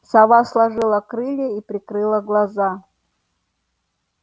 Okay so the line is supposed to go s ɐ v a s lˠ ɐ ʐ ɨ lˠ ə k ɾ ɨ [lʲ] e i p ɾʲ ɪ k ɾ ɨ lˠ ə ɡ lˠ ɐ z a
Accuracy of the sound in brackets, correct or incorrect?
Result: correct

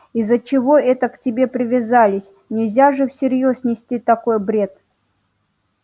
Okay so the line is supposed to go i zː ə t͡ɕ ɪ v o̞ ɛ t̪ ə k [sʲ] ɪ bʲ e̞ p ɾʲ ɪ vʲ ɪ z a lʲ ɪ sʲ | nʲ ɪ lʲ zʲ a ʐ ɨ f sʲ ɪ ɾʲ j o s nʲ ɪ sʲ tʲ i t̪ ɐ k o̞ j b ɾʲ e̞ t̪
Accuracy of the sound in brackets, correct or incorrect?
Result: incorrect: tʲ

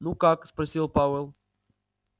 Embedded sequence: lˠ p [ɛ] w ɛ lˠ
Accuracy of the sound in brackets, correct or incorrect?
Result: incorrect: a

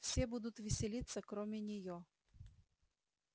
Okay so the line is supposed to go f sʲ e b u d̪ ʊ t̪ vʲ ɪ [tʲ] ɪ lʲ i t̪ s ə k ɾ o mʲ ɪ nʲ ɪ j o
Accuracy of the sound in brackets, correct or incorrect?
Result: incorrect: sʲ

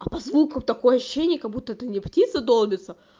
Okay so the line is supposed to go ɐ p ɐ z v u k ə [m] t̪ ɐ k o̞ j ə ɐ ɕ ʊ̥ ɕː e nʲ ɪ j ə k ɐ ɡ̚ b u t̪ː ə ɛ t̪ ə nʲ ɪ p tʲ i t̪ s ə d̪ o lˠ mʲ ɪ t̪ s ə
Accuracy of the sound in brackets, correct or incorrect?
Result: correct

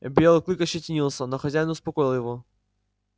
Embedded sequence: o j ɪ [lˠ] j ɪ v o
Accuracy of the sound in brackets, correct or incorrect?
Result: correct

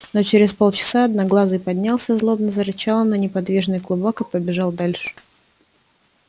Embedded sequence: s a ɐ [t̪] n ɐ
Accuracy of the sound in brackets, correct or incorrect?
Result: incorrect: d̪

